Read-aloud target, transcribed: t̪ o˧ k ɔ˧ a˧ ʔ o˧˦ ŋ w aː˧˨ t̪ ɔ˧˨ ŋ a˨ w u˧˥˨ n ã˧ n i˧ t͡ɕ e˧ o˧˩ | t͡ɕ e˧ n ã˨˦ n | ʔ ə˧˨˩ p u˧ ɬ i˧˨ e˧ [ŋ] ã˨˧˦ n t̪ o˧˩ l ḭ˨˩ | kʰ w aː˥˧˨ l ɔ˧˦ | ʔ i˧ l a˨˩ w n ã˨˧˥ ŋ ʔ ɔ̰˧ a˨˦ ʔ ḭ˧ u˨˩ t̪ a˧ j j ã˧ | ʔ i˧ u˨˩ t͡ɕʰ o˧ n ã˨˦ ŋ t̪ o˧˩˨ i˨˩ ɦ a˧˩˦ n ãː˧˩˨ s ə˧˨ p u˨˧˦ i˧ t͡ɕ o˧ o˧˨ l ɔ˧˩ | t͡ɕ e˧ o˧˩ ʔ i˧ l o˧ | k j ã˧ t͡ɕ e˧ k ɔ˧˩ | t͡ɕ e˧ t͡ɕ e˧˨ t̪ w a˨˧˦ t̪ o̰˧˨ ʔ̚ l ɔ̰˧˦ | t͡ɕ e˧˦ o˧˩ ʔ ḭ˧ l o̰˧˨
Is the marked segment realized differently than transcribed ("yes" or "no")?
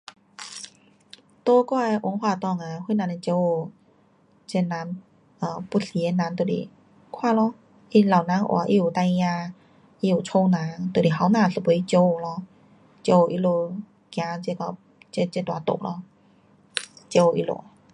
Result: yes